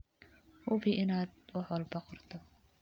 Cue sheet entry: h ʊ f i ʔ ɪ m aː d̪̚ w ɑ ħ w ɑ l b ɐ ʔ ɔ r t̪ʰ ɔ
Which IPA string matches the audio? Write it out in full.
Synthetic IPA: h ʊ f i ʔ ɪ n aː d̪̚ w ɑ ħ w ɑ l b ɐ q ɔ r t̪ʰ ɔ